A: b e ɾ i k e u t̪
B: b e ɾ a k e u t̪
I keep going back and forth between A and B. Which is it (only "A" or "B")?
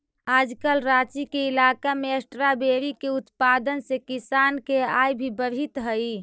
A